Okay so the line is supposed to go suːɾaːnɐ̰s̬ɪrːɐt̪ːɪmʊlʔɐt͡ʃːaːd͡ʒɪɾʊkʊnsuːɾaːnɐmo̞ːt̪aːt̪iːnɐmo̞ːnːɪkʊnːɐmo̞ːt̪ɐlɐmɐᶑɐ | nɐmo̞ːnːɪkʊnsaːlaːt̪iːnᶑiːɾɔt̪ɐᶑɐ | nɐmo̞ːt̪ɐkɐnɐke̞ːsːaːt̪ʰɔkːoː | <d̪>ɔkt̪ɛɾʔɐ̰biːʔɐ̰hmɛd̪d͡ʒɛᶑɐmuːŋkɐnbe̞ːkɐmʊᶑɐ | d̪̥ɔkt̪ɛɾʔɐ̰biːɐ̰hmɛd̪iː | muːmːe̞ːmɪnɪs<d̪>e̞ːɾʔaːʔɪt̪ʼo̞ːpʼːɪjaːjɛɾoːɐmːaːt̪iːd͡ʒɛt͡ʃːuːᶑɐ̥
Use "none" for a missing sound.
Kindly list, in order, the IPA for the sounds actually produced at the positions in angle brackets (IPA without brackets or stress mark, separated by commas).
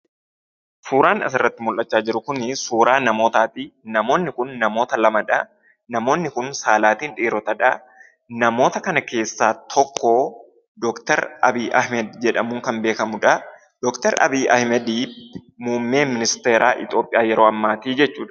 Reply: d̪, t̪